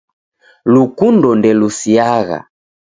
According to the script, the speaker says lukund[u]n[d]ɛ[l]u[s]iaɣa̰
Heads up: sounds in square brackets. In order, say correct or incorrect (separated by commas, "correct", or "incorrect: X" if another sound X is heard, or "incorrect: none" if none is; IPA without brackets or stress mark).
incorrect: ɔ, correct, correct, correct